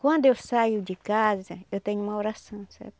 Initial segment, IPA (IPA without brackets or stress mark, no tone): k